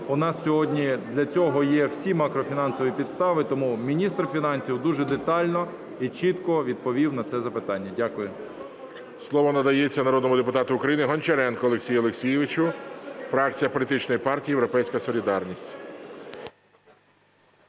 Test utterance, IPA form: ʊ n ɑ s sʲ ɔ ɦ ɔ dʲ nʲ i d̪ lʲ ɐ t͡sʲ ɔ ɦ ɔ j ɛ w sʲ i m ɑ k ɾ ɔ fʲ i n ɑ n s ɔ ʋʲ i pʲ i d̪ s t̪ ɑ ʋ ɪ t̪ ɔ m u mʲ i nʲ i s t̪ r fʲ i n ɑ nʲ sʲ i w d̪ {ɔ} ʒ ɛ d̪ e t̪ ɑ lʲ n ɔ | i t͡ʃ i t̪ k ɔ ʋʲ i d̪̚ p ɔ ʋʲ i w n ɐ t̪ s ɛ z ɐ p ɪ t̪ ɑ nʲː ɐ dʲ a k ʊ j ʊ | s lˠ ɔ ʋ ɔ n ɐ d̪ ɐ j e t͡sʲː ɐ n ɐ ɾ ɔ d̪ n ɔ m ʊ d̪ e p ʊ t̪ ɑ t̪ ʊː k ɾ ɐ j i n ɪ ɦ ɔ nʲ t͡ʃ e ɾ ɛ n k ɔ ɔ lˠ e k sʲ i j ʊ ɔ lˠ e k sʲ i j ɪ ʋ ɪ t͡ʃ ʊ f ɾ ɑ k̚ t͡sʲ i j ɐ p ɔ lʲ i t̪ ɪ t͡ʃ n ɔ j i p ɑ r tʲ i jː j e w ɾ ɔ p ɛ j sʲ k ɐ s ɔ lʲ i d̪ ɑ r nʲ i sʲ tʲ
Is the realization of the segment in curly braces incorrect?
yes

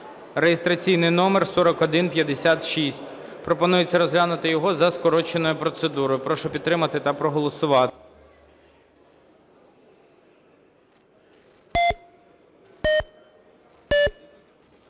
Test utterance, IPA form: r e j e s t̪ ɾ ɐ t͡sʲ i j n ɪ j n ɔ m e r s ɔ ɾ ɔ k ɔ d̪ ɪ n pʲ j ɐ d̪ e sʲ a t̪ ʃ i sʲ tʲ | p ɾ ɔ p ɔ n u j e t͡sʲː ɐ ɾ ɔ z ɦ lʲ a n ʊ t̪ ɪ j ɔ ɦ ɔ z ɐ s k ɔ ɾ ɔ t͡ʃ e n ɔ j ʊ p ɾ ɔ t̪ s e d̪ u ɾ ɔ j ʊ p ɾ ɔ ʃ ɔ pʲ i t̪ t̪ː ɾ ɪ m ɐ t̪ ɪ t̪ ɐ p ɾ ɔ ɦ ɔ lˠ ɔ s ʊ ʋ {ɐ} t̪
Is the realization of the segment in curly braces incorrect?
yes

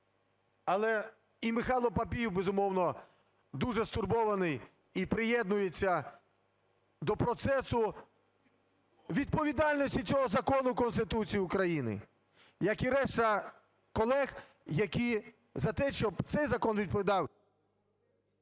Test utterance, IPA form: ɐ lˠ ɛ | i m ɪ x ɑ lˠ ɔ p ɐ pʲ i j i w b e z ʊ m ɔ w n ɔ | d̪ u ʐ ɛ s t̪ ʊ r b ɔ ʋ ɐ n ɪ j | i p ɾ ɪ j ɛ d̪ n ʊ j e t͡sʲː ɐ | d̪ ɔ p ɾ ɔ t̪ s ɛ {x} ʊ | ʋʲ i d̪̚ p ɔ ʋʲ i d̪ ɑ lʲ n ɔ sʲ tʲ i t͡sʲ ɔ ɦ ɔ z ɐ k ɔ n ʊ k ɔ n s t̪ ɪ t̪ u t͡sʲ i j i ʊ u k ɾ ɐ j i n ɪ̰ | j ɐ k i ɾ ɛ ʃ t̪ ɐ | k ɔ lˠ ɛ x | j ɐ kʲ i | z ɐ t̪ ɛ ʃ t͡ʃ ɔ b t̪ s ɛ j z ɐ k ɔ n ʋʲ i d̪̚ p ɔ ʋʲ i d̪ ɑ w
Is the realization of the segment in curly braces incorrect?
yes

